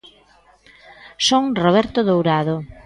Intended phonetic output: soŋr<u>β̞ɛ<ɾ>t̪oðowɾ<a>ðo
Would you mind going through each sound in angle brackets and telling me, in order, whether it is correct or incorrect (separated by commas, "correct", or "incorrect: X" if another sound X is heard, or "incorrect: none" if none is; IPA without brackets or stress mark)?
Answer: incorrect: o, correct, correct